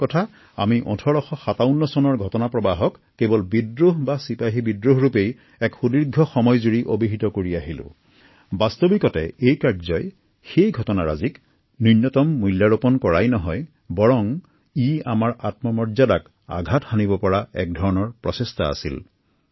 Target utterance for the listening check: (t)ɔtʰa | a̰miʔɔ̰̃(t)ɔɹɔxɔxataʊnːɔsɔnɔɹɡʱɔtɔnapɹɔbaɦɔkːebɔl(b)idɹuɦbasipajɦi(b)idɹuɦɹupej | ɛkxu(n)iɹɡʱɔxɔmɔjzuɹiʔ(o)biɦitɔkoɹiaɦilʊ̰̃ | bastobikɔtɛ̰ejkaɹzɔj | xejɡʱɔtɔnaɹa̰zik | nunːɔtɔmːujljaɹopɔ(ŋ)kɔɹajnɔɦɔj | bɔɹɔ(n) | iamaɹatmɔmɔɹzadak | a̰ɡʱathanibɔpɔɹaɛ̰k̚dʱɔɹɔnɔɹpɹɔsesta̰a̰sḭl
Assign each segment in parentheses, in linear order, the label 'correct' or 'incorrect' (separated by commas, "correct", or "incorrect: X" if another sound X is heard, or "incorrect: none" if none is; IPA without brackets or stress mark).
incorrect: k, incorrect: tʰ, correct, correct, incorrect: d, correct, incorrect: n, incorrect: ŋ